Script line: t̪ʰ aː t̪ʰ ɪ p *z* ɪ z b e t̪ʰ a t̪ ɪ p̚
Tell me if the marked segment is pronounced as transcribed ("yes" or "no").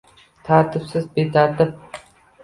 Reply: no